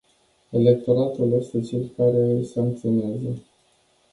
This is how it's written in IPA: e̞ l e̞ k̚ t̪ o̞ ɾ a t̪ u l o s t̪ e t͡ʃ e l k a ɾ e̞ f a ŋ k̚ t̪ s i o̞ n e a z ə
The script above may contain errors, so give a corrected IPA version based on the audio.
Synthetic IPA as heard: e̞ l e̞ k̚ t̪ o̞ ɾ a t̪ u l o s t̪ e t͡ʃ e l k a ɾ e̞ s a ŋ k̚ t̪ s i o̞ n e a z ə